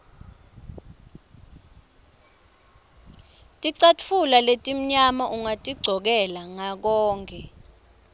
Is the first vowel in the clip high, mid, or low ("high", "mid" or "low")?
high